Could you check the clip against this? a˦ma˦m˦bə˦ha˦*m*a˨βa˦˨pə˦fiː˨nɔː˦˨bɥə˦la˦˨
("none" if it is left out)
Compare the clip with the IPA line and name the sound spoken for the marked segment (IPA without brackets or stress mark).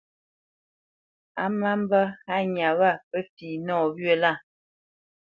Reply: ɲ